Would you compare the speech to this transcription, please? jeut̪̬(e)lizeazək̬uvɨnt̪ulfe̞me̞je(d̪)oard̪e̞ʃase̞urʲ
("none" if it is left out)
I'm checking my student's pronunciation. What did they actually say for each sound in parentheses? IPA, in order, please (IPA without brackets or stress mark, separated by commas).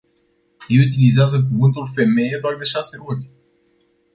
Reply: i, d̪